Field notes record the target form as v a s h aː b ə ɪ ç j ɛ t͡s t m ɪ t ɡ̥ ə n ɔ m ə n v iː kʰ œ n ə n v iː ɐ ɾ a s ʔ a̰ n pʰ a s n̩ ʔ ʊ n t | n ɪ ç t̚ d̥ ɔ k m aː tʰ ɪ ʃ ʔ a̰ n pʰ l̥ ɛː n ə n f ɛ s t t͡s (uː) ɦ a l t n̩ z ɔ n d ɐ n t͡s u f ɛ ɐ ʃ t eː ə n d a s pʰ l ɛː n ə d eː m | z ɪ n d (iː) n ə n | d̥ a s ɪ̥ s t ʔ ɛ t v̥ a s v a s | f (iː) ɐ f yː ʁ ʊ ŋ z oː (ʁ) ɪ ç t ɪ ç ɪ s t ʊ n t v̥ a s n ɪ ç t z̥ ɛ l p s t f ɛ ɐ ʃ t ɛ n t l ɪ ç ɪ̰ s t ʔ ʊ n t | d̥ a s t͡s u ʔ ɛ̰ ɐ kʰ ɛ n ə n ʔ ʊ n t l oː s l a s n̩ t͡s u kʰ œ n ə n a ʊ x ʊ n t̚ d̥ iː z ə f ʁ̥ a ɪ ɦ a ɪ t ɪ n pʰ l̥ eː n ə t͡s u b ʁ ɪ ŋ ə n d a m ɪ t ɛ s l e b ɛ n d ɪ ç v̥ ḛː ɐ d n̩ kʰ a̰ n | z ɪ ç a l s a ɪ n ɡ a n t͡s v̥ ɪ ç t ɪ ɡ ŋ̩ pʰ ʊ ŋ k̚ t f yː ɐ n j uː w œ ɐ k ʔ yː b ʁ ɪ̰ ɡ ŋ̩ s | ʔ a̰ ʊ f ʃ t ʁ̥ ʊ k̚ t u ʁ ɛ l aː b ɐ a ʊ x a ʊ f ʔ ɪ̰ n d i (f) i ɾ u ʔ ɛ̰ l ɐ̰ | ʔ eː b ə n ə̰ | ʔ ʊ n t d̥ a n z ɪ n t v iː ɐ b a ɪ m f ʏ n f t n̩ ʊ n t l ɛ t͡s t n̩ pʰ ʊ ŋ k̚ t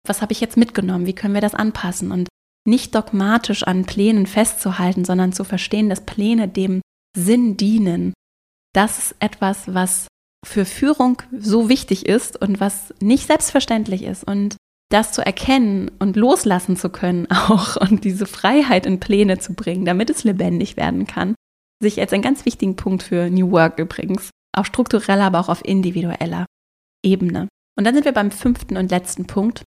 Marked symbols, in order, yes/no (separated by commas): no, yes, no, no, no